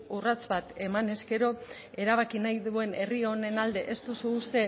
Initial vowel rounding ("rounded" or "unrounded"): rounded